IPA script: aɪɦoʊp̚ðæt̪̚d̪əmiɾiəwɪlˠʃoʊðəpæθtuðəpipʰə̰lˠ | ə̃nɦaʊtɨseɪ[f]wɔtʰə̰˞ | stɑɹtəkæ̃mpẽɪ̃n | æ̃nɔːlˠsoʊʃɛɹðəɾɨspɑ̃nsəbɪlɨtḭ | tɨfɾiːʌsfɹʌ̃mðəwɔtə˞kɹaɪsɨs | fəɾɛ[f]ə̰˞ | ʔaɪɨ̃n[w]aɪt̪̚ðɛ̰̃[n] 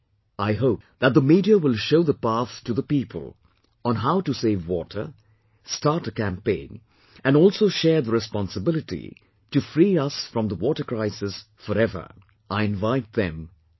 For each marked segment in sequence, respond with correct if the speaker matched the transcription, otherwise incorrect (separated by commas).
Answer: incorrect, incorrect, incorrect, incorrect